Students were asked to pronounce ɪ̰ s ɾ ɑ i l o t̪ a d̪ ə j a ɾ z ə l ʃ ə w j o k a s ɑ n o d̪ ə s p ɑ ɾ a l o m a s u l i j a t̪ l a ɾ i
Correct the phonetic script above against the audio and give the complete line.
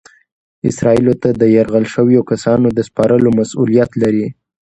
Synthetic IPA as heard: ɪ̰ s ɾ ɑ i l o t̪ a d̪ ə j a ɾ ɣ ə l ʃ ə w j o k a s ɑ n o d̪ ə s p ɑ ɾ ə l o m a s u l i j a t̪ l a ɾ i